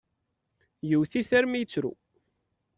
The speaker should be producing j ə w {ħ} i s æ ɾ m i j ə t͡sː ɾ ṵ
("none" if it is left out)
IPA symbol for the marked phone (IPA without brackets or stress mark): θ